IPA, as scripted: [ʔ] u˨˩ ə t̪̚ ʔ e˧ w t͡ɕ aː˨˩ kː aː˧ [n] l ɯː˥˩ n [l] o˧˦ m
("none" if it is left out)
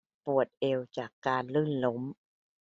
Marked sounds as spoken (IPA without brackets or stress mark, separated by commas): p, n, l